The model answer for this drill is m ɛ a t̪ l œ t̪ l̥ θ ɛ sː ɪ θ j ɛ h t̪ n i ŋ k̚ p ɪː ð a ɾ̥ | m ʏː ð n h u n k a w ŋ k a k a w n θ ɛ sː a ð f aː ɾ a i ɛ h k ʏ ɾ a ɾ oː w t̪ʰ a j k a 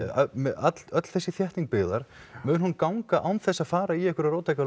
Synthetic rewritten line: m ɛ a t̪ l œ t̪ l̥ θ ɛ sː ɪ θ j ɛ h t̪ n i ŋ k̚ p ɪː ð a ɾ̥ | m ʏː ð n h u n k a w ŋ k a ʔ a w n θ ɛ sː a ð f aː ɾ a i ɛ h k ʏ ɾ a ɾ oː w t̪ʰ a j k a